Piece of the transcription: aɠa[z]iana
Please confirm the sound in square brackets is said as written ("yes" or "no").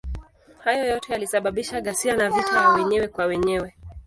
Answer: no